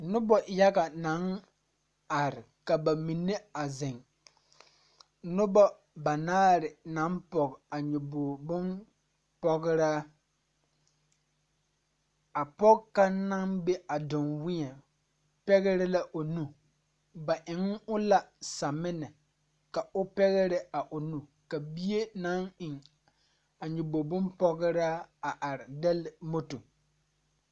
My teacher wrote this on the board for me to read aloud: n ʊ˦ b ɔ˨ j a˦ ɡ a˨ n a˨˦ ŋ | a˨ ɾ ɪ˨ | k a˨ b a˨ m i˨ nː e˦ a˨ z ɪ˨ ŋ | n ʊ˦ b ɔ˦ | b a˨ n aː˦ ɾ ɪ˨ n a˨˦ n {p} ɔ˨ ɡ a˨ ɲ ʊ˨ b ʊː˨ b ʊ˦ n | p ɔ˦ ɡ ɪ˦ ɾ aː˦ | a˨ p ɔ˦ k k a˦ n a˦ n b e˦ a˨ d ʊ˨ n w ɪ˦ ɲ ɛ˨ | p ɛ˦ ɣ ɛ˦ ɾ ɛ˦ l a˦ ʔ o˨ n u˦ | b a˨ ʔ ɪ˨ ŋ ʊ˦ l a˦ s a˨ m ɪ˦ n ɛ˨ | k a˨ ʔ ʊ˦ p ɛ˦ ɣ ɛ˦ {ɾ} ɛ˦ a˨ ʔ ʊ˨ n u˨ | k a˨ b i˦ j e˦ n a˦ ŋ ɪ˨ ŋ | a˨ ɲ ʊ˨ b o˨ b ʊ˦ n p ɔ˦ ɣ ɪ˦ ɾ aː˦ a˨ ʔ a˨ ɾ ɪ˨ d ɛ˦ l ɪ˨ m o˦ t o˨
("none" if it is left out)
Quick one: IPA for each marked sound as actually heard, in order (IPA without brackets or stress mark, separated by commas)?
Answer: p, ɾ